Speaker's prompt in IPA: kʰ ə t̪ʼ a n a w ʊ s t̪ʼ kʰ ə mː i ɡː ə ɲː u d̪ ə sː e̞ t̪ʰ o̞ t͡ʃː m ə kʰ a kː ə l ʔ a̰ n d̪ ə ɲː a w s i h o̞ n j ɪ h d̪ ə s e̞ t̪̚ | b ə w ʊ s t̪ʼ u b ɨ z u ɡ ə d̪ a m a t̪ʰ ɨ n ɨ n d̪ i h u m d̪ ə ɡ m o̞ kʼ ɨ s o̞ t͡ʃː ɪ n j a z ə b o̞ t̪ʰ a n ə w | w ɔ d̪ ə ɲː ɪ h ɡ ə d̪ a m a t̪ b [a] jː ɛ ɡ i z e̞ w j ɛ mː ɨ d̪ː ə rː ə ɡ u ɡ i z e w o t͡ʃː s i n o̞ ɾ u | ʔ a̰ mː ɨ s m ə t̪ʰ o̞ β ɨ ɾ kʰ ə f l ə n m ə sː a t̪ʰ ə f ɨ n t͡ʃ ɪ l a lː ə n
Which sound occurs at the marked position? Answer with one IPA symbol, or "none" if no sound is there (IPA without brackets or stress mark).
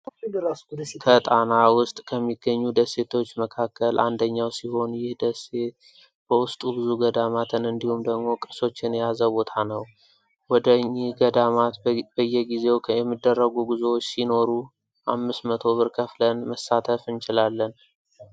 ə